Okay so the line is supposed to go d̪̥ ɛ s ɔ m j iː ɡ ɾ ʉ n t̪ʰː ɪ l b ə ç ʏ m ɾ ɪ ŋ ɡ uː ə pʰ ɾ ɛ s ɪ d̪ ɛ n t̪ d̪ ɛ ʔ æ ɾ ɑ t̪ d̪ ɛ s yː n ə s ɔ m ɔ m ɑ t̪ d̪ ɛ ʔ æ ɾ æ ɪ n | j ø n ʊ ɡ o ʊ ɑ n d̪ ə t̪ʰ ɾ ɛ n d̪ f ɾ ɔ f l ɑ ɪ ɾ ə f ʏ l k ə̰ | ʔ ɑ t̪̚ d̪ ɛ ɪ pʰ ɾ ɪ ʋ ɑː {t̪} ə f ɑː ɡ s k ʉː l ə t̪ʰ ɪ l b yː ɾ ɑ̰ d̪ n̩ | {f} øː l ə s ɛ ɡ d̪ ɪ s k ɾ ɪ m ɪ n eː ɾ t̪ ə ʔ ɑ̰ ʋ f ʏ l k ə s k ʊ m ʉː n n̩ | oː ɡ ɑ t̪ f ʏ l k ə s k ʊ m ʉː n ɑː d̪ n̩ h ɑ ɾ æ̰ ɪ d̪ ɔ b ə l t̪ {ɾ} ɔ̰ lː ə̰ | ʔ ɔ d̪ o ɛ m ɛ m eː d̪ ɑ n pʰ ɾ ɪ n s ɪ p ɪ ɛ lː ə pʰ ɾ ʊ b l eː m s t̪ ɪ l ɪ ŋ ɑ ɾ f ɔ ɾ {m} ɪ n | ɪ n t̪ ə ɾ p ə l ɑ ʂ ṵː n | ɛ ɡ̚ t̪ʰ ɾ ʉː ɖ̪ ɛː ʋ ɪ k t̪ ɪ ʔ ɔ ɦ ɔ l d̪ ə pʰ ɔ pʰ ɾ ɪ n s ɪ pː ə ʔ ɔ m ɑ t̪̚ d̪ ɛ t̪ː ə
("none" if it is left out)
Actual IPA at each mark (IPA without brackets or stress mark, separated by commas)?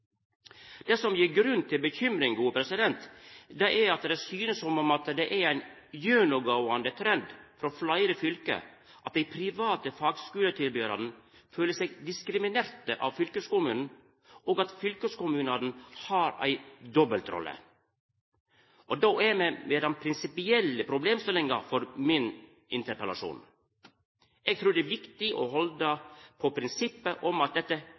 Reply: t̪, f, ɾ, m